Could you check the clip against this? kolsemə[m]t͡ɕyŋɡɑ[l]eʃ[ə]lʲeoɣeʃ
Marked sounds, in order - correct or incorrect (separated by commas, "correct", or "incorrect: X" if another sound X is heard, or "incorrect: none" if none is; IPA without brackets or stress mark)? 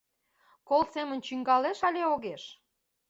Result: incorrect: n, correct, incorrect: ɑ